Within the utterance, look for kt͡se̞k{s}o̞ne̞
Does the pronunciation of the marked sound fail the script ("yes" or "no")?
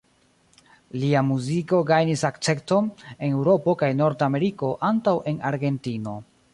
yes